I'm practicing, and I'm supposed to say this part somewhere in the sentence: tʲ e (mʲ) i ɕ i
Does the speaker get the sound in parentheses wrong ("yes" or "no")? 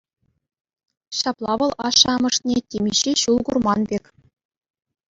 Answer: no